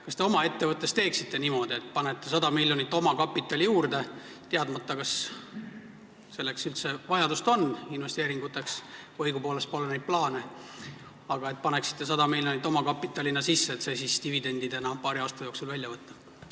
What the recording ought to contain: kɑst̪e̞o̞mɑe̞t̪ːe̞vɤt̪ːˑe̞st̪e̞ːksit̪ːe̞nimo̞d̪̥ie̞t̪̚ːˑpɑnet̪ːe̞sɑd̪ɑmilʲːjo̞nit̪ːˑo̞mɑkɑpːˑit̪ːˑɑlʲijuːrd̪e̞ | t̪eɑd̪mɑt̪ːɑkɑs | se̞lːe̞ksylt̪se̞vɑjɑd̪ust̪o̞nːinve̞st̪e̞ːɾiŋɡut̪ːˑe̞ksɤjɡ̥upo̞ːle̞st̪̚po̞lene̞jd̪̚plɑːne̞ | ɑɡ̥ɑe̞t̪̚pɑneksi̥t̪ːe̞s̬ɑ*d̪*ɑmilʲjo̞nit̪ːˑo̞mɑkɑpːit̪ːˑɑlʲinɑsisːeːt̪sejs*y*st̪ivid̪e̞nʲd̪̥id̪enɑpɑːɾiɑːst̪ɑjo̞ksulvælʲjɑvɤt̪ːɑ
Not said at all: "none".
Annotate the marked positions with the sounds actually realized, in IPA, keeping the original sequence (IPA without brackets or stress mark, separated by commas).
d̪, i